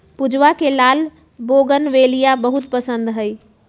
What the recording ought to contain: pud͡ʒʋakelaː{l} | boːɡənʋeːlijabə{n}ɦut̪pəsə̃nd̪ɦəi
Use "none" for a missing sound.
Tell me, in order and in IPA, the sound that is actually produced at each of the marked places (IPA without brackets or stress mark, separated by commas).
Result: l, none